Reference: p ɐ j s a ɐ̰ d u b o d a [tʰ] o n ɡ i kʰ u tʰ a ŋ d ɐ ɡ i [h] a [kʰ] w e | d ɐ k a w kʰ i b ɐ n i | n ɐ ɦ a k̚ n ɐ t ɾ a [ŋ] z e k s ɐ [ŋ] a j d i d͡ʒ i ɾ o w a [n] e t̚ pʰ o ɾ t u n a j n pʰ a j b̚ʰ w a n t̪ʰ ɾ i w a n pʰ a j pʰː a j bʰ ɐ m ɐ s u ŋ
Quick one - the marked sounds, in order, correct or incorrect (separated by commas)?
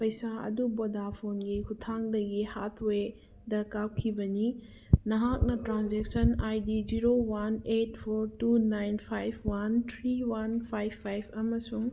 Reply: incorrect, correct, incorrect, incorrect, incorrect, correct